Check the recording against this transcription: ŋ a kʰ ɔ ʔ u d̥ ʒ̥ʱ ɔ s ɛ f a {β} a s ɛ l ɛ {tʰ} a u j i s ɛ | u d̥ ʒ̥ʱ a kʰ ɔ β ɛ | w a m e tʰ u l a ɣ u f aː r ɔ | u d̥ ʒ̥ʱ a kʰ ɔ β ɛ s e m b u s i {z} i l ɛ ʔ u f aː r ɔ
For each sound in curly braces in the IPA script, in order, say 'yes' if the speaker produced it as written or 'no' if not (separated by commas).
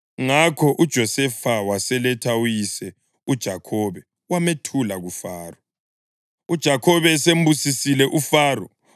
no, yes, no